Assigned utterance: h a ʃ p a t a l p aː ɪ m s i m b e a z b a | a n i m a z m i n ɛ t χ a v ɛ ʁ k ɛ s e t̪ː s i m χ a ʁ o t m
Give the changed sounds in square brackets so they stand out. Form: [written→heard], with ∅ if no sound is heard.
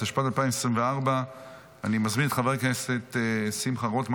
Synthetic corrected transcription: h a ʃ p a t a l p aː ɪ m s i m [b→v] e a [z→ʁ] b a | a n i m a z m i n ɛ t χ a v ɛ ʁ k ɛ s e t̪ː s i m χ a ʁ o t m